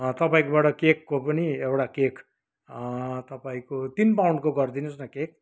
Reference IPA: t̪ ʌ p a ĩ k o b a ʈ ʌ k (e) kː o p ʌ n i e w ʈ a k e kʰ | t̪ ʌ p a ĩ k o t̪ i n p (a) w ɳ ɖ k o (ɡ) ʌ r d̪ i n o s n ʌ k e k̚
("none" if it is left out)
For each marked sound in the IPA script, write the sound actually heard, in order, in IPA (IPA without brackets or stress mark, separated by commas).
e, a, ɡ